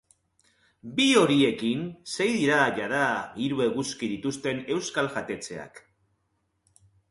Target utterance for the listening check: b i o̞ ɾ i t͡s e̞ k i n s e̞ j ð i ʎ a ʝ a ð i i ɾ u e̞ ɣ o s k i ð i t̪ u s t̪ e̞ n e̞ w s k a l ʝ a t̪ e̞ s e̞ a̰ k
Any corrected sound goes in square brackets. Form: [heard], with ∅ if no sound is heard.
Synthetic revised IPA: b i o̞ ɾ i [∅] e̞ k i n s e̞ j ð i [ɾ] a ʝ a ð [a] i ɾ u e̞ ɣ [u] s k i ð i t̪ u s t̪ e̞ n e̞ w s k a l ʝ a t̪ e̞ [t͡s] e̞ a̰ k